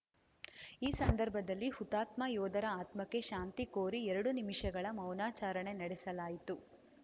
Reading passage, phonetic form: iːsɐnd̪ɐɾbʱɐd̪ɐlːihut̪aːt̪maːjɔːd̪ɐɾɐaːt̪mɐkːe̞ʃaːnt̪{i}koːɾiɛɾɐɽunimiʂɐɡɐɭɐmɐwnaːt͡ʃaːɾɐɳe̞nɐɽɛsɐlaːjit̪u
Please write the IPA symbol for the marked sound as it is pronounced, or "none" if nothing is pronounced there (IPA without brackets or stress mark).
i